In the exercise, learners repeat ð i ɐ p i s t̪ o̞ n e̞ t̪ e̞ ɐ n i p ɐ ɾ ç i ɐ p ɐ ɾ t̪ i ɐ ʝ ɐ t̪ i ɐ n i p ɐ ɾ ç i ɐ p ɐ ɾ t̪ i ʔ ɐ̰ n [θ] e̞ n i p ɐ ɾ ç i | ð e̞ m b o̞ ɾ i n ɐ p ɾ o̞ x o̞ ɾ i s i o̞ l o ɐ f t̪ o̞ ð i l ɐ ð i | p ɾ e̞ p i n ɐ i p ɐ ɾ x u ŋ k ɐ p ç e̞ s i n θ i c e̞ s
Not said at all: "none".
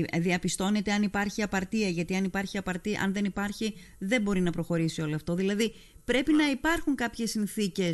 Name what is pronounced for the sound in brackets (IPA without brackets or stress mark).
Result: ð